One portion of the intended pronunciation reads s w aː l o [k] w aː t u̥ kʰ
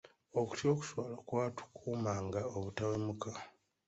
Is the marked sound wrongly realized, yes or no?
no